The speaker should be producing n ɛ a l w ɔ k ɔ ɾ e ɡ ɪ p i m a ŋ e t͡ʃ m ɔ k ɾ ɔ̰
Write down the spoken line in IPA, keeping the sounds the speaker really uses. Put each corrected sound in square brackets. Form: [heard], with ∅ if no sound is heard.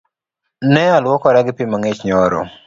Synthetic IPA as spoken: n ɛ a l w ɔ k ɔ ɾ [a] ɡ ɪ p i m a ŋ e t͡ʃ [ɲ] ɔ [∅] ɾ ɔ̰